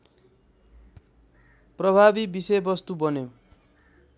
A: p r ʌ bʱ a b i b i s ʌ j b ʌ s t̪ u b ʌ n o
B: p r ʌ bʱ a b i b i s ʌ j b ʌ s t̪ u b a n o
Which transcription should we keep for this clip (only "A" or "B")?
A